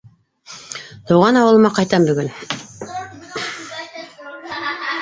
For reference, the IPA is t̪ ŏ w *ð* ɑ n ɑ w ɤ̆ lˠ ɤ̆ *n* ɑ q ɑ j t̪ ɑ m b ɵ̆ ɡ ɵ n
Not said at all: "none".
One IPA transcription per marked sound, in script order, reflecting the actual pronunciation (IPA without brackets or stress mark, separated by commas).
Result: ʁ, m